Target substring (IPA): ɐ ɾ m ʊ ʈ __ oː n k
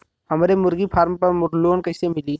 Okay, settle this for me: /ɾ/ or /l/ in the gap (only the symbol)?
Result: l